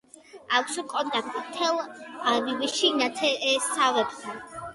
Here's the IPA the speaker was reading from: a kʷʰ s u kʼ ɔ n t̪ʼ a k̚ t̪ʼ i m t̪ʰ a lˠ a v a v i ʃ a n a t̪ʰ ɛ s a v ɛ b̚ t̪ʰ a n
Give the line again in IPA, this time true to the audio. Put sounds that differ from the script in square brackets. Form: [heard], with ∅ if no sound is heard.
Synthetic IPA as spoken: a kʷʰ s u kʼ ɔ n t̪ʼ a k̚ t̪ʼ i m t̪ʰ [ɛ] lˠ a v [i] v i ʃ [i] n a t̪ʰ ɛ s a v ɛ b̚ t̪ʰ a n